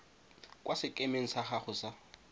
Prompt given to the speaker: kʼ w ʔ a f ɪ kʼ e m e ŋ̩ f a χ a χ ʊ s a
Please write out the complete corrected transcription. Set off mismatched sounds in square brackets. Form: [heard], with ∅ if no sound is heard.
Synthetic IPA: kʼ w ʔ a [s] ɪ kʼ e m e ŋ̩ [s] a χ a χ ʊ s a